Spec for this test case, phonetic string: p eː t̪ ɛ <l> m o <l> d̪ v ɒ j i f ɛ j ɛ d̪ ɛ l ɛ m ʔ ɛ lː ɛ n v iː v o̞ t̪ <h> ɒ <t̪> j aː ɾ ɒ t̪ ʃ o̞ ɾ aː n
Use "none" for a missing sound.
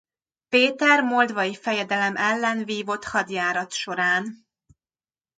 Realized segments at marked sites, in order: r, l, h, d̪

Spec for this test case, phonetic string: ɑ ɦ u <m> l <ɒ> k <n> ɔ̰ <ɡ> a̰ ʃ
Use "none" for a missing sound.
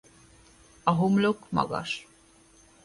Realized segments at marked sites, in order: m, o, m, ɡ

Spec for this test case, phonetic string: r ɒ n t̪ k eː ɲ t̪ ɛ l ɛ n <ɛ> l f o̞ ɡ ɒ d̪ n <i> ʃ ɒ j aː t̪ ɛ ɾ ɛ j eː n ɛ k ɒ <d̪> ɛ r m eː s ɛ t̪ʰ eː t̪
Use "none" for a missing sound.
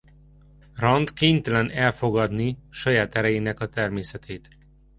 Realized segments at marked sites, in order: ɛ, i, t̪

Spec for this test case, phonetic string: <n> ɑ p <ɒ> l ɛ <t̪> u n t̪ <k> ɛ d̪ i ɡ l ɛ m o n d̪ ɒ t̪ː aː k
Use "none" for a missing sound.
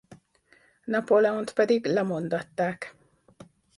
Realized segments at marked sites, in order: n, o, none, p

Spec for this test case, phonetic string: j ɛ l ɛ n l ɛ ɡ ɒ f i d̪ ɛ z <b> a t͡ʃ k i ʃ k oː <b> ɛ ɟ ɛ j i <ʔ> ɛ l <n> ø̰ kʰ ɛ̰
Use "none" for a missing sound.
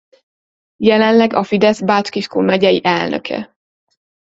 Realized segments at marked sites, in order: b, m, ʔ, n

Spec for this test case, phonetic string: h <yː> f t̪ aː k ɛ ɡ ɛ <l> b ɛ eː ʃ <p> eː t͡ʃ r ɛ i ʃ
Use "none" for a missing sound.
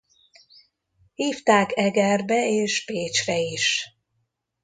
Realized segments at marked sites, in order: iː, r, p

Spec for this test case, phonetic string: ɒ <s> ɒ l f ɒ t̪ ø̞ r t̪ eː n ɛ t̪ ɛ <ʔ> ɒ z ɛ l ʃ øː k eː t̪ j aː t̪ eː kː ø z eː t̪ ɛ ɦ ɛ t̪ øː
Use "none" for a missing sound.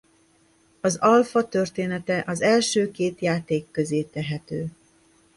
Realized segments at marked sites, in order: z, ʔ

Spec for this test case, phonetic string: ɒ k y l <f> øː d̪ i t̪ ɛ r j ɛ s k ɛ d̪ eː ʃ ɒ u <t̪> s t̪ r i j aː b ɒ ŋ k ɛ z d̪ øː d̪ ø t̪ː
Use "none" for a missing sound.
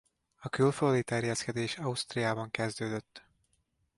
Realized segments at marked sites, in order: f, none

